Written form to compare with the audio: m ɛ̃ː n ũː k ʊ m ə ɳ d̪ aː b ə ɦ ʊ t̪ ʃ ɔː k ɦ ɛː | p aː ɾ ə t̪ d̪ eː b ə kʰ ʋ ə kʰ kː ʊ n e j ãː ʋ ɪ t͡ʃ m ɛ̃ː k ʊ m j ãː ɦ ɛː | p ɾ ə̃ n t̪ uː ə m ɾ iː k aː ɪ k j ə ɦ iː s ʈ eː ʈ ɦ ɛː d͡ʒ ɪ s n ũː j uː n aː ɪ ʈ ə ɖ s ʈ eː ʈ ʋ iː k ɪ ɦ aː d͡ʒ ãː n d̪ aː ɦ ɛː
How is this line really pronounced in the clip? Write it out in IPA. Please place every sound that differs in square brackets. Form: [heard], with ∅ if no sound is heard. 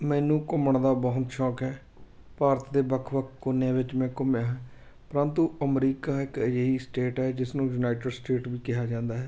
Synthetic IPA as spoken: m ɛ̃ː n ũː k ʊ m ə ɳ d̪ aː b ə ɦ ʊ t̪ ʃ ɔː k ɦ ɛː | p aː ɾ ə t̪ d̪ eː b ə kʰ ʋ ə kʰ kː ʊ n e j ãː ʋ ɪ t͡ʃ m ɛ̃ː k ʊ m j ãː ɦ ɛː | p ɾ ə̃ n t̪ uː ə m ɾ iː k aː ɪ k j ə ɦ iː s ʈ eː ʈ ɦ ɛː d͡ʒ ɪ s n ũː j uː n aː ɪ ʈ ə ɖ s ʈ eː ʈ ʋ iː k ɪ ɦ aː d͡ʒ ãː n d̪ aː ɦ ɛː